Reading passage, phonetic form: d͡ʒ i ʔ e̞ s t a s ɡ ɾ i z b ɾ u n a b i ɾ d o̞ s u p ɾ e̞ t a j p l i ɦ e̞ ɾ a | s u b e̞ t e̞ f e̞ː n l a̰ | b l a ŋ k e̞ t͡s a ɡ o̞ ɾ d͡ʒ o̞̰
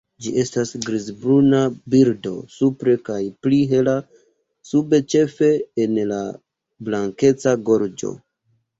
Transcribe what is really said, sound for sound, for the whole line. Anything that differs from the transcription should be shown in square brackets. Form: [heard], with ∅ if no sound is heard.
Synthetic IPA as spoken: d͡ʒ i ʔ e̞ s t a s ɡ ɾ i z b ɾ u n a b i ɾ d o̞ s u p ɾ e̞ [k] a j p l i ɦ e̞ [l] a | s u b e̞ [t͡ʃ] e̞ f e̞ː n l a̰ | b l a ŋ k e̞ t͡s a ɡ o̞ ɾ d͡ʒ o̞̰